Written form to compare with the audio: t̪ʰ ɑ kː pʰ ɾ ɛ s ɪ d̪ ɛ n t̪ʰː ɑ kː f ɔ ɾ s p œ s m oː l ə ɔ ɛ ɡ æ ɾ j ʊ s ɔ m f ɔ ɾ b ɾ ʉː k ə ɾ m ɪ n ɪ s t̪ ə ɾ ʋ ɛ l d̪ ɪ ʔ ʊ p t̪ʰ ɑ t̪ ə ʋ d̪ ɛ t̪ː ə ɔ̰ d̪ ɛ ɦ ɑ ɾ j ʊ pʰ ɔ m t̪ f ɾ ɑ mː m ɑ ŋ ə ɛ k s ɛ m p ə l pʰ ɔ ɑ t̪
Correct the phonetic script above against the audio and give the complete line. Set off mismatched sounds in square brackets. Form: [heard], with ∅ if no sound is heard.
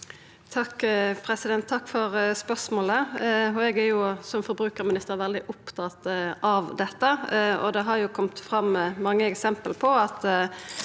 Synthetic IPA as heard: t̪ʰ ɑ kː pʰ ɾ ɛ s ɪ d̪ ɛ n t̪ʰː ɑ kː f ɔ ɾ s p œ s m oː l ə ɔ ɛ ɡ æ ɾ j ʊ s ɔ m f ɔ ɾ b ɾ ʉː k ə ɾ m ɪ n ɪ s t̪ ə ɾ ʋ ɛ l d̪ ɪ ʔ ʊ p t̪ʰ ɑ t̪ [ɑ] ʋ d̪ ɛ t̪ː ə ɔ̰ d̪ ɛ ɦ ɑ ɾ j ʊ [kʰ] ɔ m t̪ f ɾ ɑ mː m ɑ [ŋː] ə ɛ k s ɛ m p ə l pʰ ɔ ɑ t̪